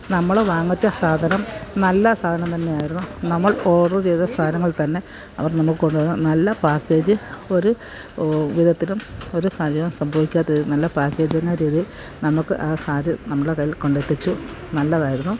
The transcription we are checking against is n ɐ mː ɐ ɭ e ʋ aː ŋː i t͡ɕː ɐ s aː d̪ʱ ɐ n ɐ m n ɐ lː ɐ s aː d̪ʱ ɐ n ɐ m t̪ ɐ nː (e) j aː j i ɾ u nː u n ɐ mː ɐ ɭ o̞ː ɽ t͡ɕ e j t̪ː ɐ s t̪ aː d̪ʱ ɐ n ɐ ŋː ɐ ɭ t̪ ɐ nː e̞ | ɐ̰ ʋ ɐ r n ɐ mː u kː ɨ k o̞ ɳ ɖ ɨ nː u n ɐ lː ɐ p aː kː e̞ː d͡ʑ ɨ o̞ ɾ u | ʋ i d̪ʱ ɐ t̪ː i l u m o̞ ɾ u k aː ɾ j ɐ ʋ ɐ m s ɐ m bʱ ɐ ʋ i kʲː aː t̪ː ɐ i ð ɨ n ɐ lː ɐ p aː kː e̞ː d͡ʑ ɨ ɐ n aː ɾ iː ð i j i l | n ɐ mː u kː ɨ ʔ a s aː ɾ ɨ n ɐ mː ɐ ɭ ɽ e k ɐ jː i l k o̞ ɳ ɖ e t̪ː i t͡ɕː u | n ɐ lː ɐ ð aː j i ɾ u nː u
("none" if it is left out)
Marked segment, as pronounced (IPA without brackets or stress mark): e